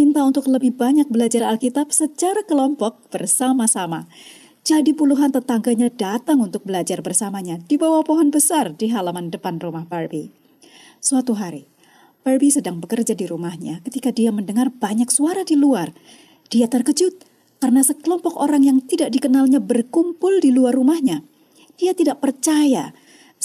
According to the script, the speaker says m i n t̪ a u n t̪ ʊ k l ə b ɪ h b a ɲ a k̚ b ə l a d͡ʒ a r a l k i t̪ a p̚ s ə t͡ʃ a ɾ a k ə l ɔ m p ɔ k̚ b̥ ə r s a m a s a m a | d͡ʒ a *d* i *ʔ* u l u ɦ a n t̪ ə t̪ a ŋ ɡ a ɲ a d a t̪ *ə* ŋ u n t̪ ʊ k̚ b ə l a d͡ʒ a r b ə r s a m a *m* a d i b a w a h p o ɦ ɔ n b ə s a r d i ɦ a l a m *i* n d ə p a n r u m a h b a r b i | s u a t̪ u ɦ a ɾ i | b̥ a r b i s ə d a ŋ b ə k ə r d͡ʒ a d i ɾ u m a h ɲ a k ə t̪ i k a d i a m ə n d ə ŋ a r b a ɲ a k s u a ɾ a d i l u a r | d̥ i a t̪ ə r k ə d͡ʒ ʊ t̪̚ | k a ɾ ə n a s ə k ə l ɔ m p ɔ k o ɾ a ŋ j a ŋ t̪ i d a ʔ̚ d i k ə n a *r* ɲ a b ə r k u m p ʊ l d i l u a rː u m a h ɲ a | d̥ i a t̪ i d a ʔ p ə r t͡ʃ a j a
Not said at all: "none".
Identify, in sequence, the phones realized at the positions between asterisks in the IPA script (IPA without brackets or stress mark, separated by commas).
d, p, a, ɲ, a, l